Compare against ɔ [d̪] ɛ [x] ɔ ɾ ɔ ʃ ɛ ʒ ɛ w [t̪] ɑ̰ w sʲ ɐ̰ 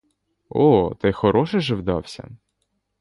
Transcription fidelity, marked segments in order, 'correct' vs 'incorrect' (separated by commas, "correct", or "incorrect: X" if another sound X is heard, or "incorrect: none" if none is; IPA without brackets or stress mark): incorrect: t̪, correct, incorrect: d̪